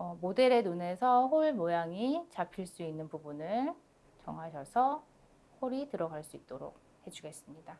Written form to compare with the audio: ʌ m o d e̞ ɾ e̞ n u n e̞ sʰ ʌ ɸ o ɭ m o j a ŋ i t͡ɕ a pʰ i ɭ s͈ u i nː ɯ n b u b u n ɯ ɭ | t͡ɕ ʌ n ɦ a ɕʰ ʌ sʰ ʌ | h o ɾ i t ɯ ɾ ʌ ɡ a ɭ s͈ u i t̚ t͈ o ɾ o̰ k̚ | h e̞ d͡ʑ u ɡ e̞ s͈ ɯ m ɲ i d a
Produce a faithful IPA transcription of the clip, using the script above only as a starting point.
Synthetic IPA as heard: ʌ m o d e̞ ɾ e̞ n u n e̞ sʰ ʌ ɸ o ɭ m o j a ŋ i t͡ɕ a pʰ i ɭ s͈ u i nː ɯ n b u b u n ɯ ɭ | t͡ɕ ʌ ŋ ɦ a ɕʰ ʌ sʰ ʌ | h o ɾ i t ɯ ɾ ʌ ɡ a ɭ s͈ u i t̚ t͈ o ɾ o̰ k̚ | h e̞ d͡ʑ u ɡ e̞ s͈ ɯ m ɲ i d a

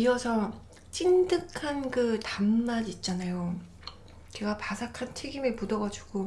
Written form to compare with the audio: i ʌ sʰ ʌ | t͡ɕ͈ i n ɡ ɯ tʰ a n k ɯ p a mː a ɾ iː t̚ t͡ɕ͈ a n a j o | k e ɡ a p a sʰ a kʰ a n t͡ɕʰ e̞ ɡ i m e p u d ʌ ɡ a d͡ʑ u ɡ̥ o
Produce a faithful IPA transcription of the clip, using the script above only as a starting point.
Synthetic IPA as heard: i ʌ sʰ ʌ | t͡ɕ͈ i n d ɯ kʰ a n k ɯ t a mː a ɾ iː t̚ t͡ɕ͈ a n a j o | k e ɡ a p a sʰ a kʰ a n t͡ɕʰ e̞ ɡ i m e p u d ʌ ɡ a d͡ʑ u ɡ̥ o

